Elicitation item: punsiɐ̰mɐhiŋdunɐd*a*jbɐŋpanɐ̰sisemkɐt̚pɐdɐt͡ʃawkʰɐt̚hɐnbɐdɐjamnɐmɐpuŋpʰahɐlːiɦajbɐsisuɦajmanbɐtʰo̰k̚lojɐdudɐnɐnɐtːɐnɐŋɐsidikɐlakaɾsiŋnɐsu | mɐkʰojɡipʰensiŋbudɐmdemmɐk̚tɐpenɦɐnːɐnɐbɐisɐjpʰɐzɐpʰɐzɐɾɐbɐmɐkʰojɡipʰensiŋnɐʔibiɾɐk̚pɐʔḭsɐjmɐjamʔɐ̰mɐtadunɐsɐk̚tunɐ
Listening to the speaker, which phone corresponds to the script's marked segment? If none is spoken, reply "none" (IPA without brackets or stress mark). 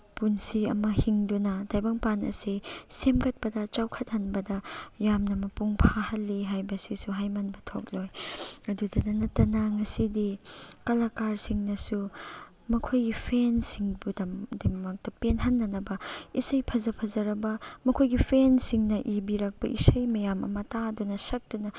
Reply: a